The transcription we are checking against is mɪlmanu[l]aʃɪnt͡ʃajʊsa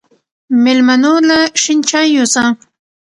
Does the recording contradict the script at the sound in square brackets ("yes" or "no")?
no